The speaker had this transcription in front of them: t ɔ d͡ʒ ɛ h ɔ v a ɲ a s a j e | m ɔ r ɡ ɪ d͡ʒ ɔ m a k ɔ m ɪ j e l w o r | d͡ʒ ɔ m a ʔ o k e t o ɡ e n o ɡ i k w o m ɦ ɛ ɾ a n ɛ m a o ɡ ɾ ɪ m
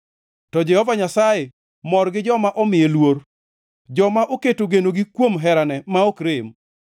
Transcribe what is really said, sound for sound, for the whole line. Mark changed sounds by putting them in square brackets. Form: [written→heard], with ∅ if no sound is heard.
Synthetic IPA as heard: t ɔ d͡ʒ ɛ h ɔ v a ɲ a s a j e | m ɔ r ɡ ɪ d͡ʒ ɔ m a [k→ʔ] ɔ m ɪ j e l w o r | d͡ʒ ɔ m a ʔ o k e t o ɡ e n o ɡ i k w o m ɦ ɛ ɾ a n ɛ m a o [ɡ→k] ɾ ɪ m